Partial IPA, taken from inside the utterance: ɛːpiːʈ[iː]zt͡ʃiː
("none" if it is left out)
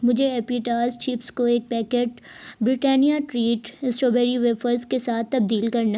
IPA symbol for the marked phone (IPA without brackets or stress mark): aː